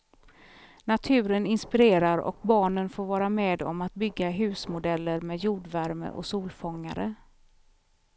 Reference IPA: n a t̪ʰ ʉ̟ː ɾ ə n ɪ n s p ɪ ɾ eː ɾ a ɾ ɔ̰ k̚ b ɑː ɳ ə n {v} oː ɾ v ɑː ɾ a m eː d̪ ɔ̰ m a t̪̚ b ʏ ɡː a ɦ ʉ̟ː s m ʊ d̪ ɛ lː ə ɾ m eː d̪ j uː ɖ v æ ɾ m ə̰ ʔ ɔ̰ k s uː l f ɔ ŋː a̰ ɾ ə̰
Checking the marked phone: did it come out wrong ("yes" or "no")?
yes